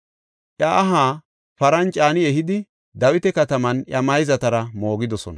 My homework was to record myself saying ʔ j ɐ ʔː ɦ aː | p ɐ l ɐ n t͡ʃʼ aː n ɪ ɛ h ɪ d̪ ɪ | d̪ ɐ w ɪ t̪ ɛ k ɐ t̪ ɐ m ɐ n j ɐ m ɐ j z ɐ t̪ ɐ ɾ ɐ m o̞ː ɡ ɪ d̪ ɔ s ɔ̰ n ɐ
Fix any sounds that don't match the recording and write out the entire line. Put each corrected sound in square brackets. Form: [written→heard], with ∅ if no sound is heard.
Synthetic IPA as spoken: ʔ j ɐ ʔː ɦ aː | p ɐ [l→ɾ] ɐ n t͡ʃʼ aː n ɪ ɛ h ɪ d̪ ɪ | d̪ ɐ w ɪ t̪ ɛ k ɐ t̪ ɐ m ɐ n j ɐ m ɐ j z ɐ t̪ ɐ ɾ ɐ m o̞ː ɡ ɪ d̪ ɔ s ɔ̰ n ɐ